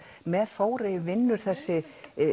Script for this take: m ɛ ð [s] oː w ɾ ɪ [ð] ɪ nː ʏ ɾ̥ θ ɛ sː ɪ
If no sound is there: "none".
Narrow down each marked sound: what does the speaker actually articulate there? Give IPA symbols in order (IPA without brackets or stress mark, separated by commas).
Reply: f, v